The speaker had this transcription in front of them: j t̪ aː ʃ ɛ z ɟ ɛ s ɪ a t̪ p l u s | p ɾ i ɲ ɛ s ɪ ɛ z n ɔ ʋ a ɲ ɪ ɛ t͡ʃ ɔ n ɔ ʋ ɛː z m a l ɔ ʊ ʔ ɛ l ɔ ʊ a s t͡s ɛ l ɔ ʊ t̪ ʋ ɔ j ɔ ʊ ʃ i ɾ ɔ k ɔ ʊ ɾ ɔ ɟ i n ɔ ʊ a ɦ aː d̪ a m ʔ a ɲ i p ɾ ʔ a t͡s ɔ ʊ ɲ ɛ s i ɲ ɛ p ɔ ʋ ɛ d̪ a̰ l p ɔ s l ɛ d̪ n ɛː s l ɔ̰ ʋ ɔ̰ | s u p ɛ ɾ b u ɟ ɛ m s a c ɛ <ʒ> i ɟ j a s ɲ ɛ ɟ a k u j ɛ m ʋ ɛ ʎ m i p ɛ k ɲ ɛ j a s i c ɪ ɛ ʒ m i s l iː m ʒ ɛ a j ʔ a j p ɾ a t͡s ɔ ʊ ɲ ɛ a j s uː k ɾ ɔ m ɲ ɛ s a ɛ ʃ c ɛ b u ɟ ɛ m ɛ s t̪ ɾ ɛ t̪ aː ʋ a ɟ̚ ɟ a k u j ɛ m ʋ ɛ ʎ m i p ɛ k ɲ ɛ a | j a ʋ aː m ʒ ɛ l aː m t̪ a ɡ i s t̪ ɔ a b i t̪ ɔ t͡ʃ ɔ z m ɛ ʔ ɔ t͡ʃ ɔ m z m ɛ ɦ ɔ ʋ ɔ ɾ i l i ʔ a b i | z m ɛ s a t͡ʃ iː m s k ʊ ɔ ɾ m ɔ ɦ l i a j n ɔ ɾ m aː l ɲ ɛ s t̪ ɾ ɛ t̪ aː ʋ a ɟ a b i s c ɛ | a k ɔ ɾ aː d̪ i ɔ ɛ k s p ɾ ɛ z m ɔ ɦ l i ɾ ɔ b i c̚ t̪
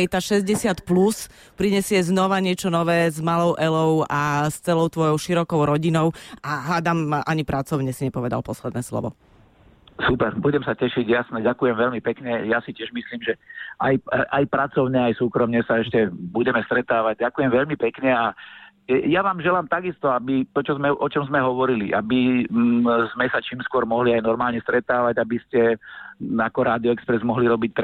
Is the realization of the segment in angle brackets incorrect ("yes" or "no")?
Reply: yes